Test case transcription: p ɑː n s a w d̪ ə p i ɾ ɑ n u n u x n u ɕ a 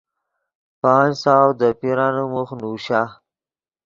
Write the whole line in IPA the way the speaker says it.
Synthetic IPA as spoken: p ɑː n s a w d̪ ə p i ɾ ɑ n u m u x n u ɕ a